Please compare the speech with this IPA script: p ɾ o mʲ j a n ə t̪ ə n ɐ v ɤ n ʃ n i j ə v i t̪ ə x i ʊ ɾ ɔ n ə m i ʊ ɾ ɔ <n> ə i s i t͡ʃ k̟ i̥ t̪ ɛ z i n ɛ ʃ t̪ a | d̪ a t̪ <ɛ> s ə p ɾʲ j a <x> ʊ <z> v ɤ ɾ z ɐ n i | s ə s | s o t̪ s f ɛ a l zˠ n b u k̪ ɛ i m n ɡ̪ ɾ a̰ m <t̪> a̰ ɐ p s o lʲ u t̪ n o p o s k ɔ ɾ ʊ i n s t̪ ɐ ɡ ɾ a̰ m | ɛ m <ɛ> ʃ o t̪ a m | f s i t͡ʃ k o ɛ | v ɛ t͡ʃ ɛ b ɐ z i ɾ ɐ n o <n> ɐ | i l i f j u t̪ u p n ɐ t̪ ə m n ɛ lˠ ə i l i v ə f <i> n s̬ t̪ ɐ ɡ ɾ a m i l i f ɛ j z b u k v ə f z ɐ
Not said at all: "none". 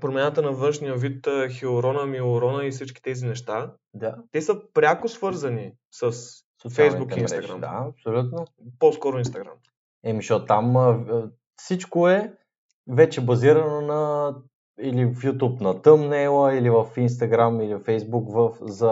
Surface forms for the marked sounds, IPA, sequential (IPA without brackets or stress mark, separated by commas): n, ɛ, k, s, d̪, i, n, i